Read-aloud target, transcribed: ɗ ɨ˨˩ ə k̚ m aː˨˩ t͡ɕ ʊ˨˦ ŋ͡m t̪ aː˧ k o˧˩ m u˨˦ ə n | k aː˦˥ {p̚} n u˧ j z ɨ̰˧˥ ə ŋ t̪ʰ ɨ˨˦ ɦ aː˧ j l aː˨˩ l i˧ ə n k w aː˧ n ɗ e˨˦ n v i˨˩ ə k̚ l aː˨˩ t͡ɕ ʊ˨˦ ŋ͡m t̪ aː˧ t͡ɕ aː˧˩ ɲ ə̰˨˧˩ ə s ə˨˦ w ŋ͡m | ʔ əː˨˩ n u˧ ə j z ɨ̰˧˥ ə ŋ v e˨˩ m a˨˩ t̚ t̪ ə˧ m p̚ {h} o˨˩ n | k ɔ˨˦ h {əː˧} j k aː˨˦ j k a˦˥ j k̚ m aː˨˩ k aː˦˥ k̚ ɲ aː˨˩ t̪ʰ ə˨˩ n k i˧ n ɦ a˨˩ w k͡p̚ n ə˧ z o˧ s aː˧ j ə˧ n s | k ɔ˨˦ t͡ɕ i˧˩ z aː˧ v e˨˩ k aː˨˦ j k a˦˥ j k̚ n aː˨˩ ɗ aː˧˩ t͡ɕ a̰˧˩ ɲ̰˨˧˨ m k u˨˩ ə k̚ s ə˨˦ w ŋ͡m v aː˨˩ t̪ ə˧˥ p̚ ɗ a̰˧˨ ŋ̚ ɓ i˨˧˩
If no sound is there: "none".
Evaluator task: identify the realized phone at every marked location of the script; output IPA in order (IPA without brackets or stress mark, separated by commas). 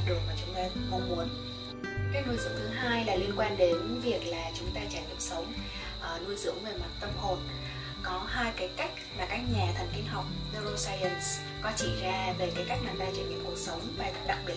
k̚, h, aː˧